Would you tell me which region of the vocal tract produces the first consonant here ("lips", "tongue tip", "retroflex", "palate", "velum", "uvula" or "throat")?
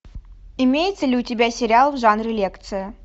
lips